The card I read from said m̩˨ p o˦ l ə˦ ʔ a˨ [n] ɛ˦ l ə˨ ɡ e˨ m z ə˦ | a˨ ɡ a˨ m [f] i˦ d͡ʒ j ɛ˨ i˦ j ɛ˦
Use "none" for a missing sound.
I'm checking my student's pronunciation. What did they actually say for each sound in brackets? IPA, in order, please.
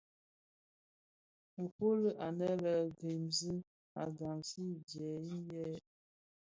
n, s

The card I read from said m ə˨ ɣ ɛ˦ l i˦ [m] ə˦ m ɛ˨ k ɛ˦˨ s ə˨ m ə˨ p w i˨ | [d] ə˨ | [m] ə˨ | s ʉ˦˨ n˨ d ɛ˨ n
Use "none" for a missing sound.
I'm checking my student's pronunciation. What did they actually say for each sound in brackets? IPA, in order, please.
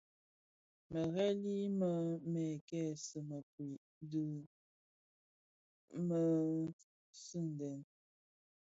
m, d, m

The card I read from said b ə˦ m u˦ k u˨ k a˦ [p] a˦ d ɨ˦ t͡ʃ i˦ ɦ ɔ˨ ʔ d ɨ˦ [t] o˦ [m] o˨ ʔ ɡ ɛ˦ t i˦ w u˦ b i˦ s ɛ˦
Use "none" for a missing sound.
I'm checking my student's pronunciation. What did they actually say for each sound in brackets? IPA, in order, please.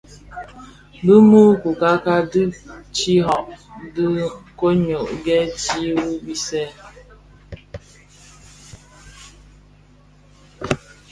k, k, ɲ

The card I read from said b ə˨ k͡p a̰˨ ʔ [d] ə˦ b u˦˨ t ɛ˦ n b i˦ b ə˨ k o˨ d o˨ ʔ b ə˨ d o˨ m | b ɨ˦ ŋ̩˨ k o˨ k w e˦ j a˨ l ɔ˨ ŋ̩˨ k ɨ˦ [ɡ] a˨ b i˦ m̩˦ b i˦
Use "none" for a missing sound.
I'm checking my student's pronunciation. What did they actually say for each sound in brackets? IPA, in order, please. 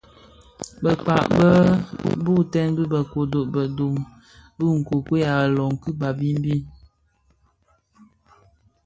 b, b

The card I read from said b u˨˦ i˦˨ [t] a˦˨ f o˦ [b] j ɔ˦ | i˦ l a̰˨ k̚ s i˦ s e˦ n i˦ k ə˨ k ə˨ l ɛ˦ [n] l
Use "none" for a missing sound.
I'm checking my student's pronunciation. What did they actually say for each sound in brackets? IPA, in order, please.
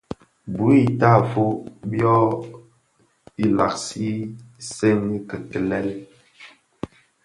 t, b, none

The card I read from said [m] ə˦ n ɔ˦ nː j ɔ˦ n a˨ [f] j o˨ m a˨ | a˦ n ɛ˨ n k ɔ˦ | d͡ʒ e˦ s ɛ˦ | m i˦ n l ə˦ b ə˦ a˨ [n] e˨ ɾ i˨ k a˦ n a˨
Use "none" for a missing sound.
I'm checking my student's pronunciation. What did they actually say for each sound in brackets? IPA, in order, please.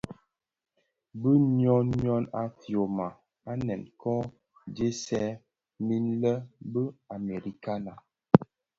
b, f, m

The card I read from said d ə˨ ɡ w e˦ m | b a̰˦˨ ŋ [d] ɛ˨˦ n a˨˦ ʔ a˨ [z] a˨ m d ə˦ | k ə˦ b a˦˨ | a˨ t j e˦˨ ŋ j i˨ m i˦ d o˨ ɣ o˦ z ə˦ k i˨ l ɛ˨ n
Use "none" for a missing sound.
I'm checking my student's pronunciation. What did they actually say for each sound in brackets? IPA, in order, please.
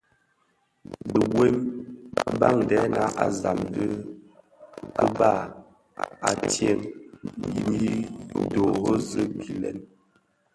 d, z

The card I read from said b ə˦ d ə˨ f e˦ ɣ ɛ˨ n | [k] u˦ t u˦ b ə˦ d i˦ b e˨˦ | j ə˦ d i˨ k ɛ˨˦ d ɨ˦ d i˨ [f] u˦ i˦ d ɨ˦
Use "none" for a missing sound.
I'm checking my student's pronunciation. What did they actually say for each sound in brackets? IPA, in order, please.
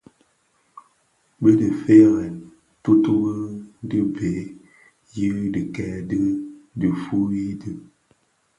t, f

